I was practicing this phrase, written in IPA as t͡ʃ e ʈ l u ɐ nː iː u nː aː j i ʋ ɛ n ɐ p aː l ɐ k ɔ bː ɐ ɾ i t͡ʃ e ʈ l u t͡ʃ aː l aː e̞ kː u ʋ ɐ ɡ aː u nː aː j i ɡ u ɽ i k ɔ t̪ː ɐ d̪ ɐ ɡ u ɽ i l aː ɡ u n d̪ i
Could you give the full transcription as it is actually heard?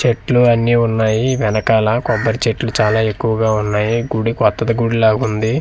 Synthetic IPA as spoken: t͡ʃ e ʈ l u ɐ nː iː u nː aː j i ʋ ɛ n ɐ k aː l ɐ k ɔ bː ɐ ɾ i t͡ʃ e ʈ l u t͡ʃ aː l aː e̞ kː u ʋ ɐ ɡ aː u nː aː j i ɡ u ɽ i k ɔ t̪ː ɐ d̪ ɐ ɡ u ɽ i l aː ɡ u n d̪ i